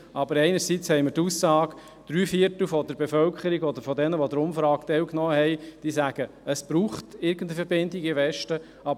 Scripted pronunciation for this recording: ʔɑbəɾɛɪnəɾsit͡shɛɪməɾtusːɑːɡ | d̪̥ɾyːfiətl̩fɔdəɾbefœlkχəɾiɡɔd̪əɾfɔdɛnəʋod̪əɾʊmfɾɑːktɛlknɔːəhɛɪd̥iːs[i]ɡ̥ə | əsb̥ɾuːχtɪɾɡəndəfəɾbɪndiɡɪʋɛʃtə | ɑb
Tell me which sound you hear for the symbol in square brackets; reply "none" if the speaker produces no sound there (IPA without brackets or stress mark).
æ